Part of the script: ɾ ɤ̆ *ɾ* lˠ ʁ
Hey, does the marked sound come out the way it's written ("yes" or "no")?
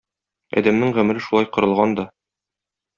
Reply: no